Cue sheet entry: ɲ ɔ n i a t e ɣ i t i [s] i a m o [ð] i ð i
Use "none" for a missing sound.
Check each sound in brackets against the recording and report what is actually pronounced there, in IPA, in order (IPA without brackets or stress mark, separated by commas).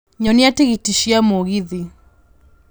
ʃ, ɣ